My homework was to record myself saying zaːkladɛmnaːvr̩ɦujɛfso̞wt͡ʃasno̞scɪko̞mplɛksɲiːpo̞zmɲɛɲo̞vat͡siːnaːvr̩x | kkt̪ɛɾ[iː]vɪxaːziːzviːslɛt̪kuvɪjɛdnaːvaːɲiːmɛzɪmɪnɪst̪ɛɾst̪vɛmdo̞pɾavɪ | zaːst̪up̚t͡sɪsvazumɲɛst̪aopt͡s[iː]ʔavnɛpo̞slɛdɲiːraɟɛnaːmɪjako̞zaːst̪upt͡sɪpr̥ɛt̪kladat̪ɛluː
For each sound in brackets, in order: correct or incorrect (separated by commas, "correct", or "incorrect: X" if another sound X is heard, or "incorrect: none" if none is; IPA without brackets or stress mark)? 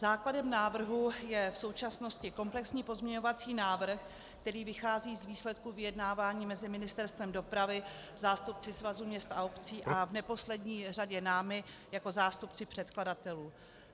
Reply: correct, correct